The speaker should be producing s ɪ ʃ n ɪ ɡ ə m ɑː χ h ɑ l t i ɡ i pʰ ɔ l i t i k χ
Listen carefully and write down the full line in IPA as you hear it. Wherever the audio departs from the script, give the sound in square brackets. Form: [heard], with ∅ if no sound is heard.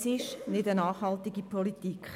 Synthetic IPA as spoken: s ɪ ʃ n ɪ [d] ə [n] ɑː χ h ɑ l t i ɡ i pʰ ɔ l i t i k χ

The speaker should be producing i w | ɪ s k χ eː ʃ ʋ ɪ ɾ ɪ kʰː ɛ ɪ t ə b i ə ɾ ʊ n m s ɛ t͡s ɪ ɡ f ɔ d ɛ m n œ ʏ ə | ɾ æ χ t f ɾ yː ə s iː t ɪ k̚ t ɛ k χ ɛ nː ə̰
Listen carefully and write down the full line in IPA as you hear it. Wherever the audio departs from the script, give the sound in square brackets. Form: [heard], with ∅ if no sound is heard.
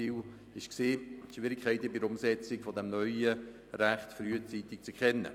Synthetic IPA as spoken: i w | ɪ [ʃ] k [s] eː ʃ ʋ ɪ ɾ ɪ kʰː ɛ ɪ t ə b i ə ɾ ʊ [∅] m s ɛ t͡s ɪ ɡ f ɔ d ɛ m n œ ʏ ə | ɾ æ χ t f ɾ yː ə [t͡s] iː t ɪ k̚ [t͡s] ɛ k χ ɛ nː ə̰

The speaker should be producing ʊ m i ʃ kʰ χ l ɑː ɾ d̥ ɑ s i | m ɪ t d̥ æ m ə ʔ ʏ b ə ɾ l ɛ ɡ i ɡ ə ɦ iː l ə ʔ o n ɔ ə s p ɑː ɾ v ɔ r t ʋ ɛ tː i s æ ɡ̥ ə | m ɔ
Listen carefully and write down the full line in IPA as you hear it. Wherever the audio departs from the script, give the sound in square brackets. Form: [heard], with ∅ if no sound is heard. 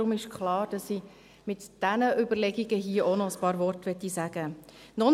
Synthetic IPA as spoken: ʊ m [ɪ] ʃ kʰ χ l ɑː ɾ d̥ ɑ s i | m ɪ t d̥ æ [n] ə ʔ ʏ b ə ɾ l ɛ ɡ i ɡ ə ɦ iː [∅] ə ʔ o n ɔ ə s p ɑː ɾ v ɔ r t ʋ ɛ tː i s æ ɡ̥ ə | [n] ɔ

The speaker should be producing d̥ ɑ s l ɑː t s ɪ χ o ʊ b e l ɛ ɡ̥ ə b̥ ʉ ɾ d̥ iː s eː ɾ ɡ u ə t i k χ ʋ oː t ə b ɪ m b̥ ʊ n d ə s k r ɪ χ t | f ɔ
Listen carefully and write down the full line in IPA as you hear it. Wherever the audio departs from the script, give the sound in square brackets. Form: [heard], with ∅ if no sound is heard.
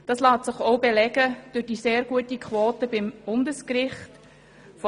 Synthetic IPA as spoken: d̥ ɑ s l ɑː t s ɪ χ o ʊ b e l ɛ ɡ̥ ə [d̥] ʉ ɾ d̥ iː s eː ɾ ɡ u ə t i k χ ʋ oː t ə b ɪ m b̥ ʊ n d ə s k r ɪ χ t | f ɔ

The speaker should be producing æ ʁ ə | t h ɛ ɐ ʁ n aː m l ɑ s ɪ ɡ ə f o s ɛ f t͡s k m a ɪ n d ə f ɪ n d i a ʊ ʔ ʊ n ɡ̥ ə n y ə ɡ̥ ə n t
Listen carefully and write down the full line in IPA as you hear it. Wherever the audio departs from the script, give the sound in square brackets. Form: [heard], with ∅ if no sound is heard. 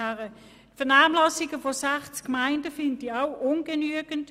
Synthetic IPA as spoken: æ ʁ ə | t [f] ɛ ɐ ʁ n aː m l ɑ s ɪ ɡ ə f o s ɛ [χ] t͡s k m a ɪ n d ə f ɪ n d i a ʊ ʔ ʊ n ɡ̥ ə n y ə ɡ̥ ə n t

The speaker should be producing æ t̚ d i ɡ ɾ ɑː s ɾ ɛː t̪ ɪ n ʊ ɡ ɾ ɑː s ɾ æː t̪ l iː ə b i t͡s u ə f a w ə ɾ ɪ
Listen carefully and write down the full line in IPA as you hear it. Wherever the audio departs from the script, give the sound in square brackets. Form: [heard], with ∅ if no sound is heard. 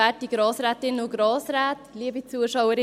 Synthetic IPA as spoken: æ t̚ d i ɡ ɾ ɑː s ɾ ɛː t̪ ɪ n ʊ ɡ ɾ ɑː s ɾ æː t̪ l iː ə b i t͡s u ə [ʃ] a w ə ɾ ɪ

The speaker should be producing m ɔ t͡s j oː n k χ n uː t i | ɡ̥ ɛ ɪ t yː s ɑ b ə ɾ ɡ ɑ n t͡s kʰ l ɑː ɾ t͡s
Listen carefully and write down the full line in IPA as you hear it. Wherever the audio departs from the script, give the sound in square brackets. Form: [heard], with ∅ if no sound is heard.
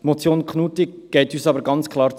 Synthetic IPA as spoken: m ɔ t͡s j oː n k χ n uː t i | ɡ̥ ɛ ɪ t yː s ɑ b ə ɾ ɡ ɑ n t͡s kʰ l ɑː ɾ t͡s

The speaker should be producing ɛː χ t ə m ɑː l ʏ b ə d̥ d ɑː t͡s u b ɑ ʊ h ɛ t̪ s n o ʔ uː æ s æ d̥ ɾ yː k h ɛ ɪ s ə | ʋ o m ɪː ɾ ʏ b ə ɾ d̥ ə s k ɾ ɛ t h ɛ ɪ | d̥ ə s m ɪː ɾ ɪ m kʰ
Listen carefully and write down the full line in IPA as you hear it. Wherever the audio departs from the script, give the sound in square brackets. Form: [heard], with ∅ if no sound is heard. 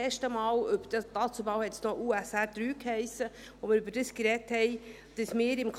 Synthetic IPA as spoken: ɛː [ʃ] t ə m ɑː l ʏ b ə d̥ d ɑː t͡s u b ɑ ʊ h ɛ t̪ s n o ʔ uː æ s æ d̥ ɾ yː k h ɛ ɪ s ə | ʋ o m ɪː ɾ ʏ b ə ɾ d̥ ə s k ɾ ɛ t h ɛ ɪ | d̥ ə s m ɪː ɾ ɪ m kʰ

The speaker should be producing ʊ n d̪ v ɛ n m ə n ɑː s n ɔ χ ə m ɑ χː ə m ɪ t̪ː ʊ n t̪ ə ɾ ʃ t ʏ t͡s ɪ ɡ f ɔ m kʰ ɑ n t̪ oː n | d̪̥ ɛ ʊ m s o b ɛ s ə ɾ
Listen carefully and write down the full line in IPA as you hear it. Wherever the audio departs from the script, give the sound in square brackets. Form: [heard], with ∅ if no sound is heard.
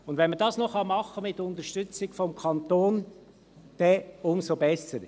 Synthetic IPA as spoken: ʊ n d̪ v ɛ n m ə [d] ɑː s n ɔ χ [ɑ] m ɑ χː ə m ɪ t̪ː ʊ n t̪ ə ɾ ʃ t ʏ t͡s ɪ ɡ f ɔ m kʰ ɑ n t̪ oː n | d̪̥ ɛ ʊ m s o b ɛ s ə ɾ

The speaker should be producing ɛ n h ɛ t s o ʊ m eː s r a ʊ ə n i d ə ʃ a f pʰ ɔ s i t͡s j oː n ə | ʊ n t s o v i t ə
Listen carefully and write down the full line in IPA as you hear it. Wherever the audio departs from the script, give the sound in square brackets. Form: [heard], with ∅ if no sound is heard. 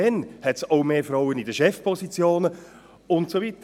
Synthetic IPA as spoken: ɛ n h ɛ t s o ʊ m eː [f] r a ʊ ə n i d ə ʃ [ɛ] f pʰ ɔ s i t͡s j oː n ə | ʊ n t s o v i t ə

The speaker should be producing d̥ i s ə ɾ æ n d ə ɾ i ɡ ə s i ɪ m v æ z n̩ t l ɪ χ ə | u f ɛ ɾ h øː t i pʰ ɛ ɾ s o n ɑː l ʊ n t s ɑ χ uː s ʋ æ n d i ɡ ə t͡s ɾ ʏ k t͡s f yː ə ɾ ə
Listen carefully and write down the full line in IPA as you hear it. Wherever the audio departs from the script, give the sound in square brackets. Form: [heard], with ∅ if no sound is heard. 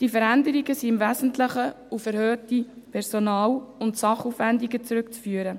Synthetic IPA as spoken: d̥ i [f] ə ɾ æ n d ə ɾ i ɡ ə s i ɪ m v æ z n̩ t l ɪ χ ə | u f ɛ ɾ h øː t i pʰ ɛ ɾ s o n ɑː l ʊ n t s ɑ χ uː [f] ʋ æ n d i ɡ ə t͡s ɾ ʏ k t͡s f yː ə ɾ ə

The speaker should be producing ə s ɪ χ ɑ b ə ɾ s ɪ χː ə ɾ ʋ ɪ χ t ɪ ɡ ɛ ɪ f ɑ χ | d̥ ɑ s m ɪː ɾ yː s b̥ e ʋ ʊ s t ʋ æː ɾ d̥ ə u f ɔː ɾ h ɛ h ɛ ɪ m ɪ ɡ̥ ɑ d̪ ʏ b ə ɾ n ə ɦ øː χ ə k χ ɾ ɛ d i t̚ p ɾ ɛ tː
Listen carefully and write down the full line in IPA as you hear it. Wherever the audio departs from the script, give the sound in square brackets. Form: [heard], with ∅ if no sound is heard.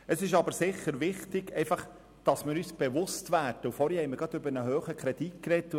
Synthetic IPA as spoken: ə s ɪ [ʃ] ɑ b ə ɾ s ɪ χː ə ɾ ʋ ɪ χ t ɪ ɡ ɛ ɪ f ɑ χ | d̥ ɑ s m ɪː ɾ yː s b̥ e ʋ ʊ s t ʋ æː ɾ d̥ ə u f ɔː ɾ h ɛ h ɛ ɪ m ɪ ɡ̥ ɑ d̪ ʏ b ə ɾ n ə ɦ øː χ ə k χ ɾ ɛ d i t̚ [k] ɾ ɛ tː

